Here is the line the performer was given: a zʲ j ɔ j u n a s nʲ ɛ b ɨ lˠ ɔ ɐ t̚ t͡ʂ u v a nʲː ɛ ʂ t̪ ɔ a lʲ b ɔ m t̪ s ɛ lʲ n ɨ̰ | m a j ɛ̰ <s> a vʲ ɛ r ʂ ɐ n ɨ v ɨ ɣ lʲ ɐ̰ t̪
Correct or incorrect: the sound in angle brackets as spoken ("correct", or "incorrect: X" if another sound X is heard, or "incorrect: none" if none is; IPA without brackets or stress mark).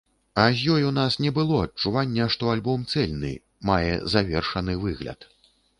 incorrect: z